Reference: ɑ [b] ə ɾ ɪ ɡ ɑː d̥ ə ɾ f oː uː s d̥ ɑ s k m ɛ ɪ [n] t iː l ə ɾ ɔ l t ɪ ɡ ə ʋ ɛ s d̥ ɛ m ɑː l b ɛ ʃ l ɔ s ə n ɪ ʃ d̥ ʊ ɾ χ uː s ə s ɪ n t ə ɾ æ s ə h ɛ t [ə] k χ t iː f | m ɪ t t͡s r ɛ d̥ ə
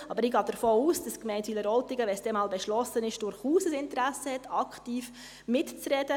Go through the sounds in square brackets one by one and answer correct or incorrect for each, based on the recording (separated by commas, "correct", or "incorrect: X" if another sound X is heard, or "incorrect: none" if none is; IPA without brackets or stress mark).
correct, correct, incorrect: ɑ